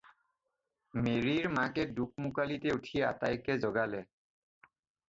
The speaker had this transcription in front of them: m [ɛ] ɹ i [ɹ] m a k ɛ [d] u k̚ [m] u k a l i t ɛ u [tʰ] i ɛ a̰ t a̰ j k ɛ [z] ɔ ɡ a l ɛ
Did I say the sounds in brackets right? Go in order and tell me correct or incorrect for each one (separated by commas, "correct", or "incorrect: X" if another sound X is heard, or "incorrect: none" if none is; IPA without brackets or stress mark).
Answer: incorrect: e, correct, correct, correct, correct, correct